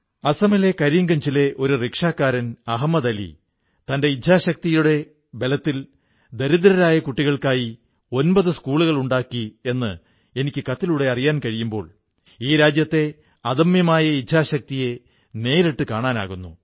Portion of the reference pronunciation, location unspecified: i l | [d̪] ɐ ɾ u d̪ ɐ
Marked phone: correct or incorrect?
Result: correct